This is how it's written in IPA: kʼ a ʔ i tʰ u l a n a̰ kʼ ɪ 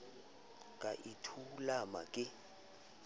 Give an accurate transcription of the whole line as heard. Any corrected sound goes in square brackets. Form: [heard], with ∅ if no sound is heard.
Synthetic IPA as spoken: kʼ a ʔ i tʰ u l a [m] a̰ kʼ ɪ